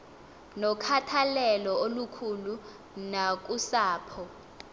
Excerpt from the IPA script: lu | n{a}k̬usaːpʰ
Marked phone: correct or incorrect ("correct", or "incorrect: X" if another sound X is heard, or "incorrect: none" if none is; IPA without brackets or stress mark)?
correct